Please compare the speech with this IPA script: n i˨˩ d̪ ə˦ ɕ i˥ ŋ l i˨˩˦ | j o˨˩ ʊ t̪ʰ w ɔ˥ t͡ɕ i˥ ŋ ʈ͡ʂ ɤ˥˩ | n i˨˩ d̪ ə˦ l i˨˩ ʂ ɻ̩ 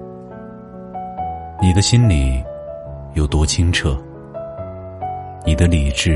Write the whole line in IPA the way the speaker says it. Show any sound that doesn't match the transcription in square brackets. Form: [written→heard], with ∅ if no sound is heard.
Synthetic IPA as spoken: n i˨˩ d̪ ə˦ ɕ i˥ [ŋ→n] l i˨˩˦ | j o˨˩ ʊ [t̪ʰ→t̪] w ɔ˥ [t͡ɕ→t͡ɕʰ] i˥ ŋ [ʈ͡ʂ→ʈ͡ʂʰ] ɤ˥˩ | n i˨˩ d̪ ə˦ l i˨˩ [ʂ→ʈ͡ʂ] ɻ̩